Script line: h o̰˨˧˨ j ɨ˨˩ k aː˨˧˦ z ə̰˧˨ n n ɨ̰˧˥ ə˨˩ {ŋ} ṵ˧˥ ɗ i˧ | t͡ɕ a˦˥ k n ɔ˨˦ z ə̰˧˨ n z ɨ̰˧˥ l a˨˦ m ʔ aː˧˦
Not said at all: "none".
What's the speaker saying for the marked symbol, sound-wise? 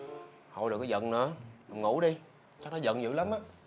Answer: ŋ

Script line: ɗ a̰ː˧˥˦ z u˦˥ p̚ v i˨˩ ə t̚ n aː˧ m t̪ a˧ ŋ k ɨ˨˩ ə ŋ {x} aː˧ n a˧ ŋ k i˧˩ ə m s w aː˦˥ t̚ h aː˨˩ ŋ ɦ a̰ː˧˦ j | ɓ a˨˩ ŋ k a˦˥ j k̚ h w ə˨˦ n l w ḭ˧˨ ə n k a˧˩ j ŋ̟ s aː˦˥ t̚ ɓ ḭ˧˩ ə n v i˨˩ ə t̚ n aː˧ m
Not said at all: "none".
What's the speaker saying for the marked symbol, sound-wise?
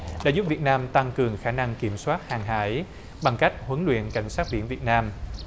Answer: x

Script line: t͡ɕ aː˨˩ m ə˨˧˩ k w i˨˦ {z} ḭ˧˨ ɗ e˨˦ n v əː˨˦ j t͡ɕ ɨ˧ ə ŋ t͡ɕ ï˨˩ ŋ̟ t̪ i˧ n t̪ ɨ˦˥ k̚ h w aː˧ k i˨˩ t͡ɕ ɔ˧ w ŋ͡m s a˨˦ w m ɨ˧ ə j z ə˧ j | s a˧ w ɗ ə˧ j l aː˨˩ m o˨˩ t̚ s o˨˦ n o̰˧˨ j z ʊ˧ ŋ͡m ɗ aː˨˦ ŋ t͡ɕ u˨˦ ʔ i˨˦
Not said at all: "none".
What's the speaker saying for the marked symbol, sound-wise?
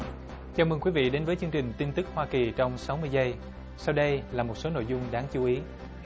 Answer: v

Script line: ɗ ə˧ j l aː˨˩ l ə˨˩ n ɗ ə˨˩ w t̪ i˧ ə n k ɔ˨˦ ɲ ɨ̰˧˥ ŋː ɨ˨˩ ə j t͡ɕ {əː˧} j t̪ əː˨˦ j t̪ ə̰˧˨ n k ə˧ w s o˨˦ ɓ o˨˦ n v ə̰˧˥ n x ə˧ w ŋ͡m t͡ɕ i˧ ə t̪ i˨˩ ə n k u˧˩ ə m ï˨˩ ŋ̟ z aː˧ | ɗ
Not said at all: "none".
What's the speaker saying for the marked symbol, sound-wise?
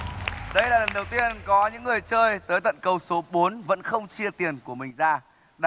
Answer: əː˧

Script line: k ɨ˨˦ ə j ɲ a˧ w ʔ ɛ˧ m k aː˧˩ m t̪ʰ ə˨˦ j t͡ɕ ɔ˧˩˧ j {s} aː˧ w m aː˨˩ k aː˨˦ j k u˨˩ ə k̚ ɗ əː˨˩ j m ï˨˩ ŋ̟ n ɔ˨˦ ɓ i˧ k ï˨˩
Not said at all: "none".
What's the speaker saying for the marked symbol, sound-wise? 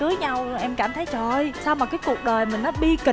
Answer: s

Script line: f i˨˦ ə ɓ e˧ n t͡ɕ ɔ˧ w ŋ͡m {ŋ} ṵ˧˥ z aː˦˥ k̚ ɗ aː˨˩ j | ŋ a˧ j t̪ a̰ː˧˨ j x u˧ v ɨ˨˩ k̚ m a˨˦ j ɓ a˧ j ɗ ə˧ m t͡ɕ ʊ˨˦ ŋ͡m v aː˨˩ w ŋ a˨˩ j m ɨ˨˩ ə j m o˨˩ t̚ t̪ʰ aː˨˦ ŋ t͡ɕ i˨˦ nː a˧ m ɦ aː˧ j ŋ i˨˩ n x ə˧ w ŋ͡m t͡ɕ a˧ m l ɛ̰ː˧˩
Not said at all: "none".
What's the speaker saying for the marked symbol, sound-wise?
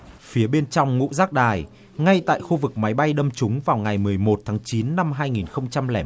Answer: ŋ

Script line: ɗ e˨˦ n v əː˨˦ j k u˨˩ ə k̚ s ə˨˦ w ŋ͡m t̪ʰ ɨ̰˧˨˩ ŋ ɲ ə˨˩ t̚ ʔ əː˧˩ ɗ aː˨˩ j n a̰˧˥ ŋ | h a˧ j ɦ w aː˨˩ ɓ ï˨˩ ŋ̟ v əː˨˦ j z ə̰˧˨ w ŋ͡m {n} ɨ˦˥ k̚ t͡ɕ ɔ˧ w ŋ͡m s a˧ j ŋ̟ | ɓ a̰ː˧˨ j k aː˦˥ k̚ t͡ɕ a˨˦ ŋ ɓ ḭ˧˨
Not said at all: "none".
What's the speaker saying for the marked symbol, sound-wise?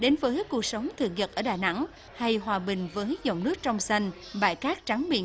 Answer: n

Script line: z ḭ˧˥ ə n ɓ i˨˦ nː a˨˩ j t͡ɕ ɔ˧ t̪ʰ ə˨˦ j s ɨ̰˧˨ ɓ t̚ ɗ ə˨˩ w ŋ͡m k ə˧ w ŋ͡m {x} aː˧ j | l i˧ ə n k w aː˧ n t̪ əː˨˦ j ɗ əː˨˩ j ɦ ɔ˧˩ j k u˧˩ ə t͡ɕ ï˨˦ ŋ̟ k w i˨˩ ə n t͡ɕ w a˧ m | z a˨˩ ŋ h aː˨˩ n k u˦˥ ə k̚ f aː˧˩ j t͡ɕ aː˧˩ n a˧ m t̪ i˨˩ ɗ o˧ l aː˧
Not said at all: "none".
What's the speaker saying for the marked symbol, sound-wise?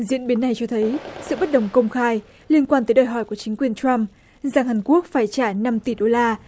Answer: x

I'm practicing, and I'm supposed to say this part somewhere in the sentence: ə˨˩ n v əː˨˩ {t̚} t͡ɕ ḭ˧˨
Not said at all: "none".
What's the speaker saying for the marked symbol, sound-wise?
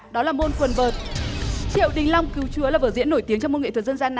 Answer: t̚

